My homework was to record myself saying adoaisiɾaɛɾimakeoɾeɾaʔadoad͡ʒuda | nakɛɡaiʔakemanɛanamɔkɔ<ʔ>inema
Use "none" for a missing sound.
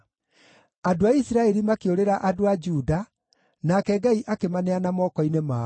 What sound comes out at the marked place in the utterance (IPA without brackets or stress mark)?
none